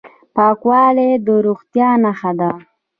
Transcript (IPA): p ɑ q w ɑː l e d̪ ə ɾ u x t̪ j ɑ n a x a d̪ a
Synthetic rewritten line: p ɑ k w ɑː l e d̪ ə ɾ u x t̪ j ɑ n a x a d̪ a